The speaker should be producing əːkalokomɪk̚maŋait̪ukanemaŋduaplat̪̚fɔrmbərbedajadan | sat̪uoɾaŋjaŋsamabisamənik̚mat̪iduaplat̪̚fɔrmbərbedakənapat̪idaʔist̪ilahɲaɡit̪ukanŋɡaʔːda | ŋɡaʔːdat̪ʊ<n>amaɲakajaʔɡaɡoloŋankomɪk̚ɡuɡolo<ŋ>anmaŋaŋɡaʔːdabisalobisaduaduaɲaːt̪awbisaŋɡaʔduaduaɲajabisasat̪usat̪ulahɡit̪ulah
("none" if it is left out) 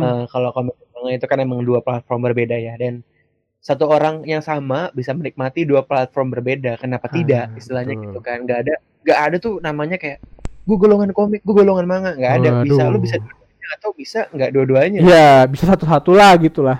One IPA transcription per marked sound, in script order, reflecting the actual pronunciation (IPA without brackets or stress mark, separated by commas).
n, ŋ